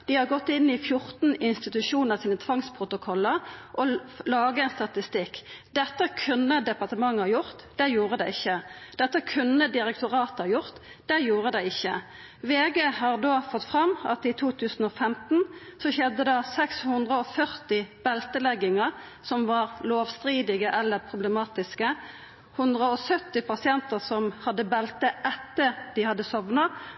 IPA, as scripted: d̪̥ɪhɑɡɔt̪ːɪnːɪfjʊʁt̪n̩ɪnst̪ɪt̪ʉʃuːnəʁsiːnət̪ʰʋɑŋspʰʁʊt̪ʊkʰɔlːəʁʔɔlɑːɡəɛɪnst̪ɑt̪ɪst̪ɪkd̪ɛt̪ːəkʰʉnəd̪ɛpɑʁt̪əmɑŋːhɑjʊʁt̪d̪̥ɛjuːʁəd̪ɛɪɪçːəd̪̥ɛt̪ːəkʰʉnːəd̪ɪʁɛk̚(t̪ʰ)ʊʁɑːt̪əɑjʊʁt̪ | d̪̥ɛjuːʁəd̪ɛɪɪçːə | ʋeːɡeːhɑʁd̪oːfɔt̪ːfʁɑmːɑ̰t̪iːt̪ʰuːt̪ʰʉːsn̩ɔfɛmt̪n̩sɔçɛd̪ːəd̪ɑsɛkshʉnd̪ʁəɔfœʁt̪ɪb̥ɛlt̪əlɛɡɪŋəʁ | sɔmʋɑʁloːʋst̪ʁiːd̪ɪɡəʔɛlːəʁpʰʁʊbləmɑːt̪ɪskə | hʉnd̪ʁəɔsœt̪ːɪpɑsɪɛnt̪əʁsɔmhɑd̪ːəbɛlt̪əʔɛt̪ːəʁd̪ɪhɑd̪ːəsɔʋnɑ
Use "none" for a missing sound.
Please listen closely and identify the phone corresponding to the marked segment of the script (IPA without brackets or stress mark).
t̪